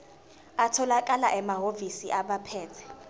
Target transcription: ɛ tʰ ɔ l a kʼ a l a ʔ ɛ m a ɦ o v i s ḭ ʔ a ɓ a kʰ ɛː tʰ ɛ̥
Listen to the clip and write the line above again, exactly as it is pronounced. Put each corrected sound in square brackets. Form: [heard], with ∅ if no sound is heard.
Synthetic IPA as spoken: [a] tʰ ɔ l a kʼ a l a ʔ ɛ m a ɦ o v i s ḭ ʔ a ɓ a [pʰ] ɛː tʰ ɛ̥